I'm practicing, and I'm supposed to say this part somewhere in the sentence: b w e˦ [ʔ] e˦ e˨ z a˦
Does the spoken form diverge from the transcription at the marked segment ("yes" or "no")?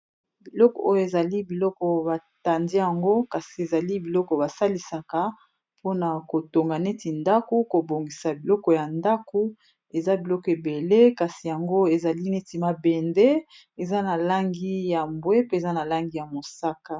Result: yes